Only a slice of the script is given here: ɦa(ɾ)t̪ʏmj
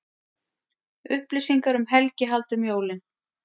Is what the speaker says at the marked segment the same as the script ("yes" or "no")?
no